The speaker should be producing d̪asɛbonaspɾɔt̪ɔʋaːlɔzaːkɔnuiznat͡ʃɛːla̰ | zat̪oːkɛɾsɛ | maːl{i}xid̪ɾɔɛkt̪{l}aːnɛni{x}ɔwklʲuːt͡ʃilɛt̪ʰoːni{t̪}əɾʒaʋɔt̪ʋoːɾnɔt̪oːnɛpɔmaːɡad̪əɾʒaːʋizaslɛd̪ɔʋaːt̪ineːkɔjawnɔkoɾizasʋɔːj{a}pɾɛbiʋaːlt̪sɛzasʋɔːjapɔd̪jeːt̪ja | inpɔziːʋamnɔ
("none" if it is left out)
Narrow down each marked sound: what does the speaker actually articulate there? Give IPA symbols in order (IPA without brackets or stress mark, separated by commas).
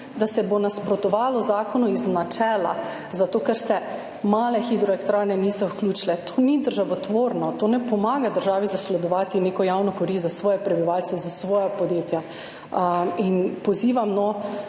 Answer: ɛ, ɾ, s, d̪, ɛ